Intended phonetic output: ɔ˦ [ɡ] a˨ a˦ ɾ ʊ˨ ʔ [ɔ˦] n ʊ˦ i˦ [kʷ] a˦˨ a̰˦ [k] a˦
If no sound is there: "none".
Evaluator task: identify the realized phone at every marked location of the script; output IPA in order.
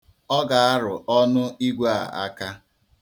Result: ɡ, ɔ˦, ɡʷ, k

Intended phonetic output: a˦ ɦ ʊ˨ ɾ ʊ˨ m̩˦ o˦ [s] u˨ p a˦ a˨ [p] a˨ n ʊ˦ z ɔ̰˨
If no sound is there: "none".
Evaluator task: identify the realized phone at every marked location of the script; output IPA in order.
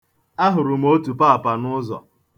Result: t, p

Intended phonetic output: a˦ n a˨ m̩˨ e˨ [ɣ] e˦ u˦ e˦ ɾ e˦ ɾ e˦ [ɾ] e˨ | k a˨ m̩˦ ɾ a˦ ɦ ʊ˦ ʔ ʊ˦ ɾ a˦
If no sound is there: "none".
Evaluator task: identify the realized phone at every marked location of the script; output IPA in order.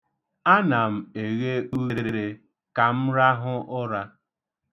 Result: ɣ, ɾ

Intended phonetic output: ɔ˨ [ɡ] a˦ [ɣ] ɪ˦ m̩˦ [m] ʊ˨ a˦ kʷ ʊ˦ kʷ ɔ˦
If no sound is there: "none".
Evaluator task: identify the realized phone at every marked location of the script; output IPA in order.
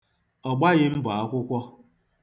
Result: ɡ͡b, ɣ, b

